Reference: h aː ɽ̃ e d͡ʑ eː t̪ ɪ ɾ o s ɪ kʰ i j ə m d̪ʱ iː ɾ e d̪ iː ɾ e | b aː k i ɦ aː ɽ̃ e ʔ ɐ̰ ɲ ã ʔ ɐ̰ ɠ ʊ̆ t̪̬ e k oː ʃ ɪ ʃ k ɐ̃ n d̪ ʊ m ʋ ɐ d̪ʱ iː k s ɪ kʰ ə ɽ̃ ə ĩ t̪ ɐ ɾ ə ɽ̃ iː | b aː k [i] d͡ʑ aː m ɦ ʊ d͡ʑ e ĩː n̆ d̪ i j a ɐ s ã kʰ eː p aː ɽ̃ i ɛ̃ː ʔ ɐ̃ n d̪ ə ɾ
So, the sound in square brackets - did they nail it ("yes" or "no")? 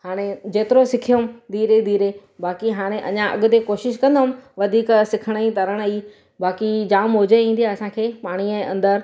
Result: yes